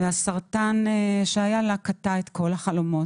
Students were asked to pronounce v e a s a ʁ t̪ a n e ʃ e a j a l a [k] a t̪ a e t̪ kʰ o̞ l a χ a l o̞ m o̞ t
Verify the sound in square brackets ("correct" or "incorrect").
correct